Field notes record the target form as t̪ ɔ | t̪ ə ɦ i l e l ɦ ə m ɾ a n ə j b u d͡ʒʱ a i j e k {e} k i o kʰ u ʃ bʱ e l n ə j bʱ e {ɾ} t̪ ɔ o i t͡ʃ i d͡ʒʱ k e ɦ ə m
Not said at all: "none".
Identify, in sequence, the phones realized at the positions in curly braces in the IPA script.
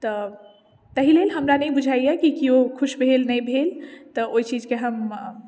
i, l

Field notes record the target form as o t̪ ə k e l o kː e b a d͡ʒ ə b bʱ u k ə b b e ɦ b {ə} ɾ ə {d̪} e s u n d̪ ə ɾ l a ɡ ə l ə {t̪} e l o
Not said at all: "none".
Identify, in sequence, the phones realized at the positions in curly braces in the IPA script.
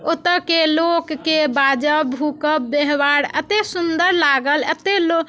a, t̪, t̪

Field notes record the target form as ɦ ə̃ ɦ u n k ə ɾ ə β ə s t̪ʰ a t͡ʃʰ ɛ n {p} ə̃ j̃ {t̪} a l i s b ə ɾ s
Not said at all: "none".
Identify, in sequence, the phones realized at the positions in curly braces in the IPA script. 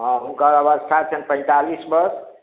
p, t̪

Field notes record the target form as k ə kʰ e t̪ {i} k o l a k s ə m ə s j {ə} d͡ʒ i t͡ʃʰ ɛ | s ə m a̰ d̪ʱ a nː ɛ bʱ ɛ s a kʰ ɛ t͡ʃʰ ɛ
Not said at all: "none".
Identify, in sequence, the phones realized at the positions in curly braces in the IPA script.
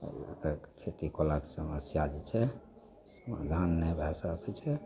i, a

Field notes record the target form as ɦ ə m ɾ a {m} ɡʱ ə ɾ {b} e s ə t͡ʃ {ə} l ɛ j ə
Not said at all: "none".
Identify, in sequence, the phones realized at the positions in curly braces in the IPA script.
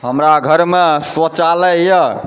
none, m, a

